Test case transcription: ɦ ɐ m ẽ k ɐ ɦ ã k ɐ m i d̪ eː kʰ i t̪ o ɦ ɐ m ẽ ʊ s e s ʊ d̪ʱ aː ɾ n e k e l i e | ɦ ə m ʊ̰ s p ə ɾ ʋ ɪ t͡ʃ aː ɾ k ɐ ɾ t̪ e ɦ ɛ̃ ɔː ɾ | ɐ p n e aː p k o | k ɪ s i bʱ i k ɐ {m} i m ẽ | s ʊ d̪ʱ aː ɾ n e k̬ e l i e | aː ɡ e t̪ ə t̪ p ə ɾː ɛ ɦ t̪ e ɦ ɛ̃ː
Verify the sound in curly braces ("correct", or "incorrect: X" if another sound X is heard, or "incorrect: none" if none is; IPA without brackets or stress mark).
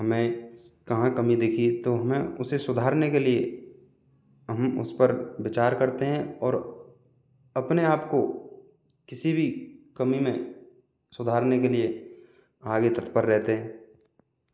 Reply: correct